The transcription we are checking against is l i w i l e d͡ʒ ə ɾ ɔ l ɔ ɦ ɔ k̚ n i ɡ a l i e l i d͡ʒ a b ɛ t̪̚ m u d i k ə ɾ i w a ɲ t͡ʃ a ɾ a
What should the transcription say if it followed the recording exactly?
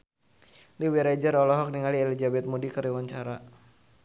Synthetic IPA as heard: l i w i ɾ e d͡ʒ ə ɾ ɔ l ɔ ɦ ɔ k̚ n i ŋ a l i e l i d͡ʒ a b ɛ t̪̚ m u d i k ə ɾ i w a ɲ t͡ʃ a ɾ a